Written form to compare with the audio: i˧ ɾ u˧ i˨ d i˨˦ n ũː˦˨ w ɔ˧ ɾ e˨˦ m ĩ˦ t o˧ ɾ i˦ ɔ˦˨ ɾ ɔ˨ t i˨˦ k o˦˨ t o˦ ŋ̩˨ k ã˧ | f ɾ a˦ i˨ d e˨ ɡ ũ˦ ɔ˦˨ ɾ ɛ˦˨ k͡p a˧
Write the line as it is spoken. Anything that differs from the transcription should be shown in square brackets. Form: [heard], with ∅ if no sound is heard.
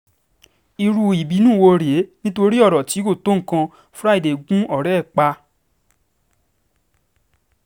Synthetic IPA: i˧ ɾ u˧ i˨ [b] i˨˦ n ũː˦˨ w [o˧] ɾ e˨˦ [n] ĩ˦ t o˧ ɾ i˦ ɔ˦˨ ɾ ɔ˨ t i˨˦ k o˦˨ t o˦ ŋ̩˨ k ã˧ | f ɾ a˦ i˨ d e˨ ɡ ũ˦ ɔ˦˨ ɾ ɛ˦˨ k͡p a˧